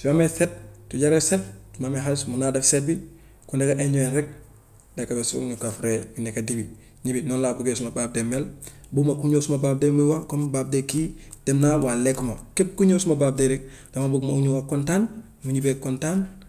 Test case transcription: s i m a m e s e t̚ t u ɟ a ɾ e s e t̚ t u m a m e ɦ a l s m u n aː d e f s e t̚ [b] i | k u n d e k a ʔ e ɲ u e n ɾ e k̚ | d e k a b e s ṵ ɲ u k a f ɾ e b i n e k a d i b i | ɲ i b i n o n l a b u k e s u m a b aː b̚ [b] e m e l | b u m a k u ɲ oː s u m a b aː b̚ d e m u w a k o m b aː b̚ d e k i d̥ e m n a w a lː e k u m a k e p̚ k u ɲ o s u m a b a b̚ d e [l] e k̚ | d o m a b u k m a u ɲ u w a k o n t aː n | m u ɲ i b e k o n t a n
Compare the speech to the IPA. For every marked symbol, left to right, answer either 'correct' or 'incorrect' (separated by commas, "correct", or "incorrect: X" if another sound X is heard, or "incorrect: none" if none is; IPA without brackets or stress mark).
correct, incorrect: d, incorrect: ɾ